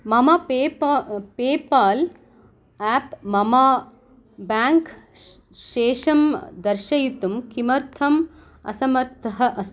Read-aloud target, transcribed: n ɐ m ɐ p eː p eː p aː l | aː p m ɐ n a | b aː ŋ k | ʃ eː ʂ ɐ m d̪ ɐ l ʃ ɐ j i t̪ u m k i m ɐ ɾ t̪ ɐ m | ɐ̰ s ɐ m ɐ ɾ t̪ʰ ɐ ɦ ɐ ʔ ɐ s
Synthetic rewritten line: m ɐ m ɐ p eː p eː p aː l | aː p m ɐ m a | b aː ŋ k | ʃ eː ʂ ɐ m d̪ ɐ ɾ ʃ ɐ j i t̪ u m k i m ɐ ɾ t̪ʰ ɐ m | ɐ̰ s ɐ m ɐ ɾ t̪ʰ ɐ ɦ ɐ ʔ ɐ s